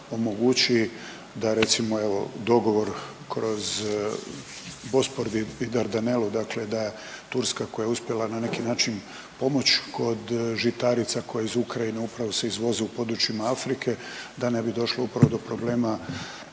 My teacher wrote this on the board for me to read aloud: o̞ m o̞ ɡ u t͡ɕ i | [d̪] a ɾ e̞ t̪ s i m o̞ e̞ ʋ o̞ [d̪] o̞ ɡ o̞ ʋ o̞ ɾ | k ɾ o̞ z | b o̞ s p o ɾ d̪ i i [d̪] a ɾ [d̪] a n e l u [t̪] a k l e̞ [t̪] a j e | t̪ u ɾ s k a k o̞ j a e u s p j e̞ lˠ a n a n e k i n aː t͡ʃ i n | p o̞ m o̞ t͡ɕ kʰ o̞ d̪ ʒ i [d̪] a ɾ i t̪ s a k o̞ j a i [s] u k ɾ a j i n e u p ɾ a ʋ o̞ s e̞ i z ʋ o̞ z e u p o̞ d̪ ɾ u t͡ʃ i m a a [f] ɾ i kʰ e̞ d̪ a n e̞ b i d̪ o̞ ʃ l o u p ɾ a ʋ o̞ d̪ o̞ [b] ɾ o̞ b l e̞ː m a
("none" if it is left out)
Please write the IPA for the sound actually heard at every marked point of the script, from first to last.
d̪, d̪, d̪, d̪, d̪, d̪, t̪, z, f, p

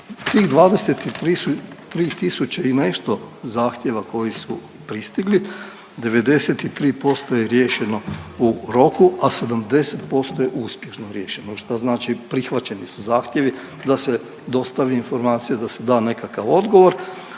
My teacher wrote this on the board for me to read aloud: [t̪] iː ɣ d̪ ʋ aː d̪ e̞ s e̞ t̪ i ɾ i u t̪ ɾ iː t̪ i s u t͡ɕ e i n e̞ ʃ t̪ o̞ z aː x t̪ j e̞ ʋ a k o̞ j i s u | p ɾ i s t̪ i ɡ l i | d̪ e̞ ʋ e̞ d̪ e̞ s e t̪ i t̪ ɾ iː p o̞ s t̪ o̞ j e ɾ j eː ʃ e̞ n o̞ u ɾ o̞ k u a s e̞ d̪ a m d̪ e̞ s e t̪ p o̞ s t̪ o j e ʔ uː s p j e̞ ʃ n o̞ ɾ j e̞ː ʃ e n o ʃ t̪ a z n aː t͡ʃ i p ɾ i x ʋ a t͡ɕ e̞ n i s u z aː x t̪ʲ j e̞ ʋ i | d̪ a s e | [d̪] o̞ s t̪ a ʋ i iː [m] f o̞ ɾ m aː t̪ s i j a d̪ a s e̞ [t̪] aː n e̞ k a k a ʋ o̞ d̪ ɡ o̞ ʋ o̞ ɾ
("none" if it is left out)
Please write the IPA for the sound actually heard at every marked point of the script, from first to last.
t̪, d̪, n, d̪

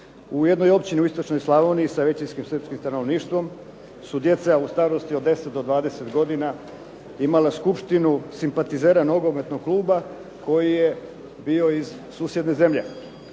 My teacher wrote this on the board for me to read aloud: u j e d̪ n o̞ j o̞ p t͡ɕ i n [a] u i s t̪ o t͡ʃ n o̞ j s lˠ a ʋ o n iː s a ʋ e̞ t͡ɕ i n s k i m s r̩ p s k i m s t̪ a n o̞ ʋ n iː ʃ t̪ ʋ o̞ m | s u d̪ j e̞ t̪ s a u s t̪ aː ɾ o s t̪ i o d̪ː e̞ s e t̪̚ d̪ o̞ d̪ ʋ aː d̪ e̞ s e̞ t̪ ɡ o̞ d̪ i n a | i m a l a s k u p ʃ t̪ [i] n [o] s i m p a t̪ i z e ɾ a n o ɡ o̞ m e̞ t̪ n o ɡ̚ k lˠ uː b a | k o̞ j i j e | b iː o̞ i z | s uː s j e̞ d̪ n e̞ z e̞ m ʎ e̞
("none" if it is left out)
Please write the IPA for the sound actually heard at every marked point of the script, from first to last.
i, i, u

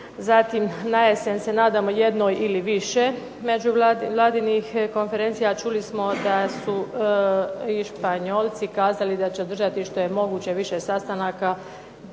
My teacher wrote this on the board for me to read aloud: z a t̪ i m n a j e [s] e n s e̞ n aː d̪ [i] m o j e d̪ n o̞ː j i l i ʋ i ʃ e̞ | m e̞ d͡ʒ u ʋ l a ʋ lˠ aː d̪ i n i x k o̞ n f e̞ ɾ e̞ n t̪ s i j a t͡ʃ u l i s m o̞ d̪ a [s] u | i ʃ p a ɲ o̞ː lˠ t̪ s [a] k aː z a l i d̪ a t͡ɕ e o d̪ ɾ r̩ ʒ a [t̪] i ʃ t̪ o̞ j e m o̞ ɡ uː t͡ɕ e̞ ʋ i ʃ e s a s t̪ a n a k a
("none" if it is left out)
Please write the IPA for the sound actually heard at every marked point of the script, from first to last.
s, a, s, i, t̪

